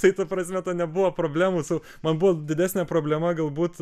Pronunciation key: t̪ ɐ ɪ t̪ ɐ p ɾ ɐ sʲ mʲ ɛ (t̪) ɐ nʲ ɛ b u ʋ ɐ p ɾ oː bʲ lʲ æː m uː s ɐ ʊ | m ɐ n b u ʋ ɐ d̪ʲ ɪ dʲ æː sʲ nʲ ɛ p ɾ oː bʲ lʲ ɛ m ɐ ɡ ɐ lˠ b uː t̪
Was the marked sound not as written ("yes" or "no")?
no